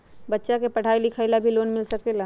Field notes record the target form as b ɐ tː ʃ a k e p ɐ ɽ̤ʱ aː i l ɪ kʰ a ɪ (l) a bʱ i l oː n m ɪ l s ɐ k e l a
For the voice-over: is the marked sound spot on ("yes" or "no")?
yes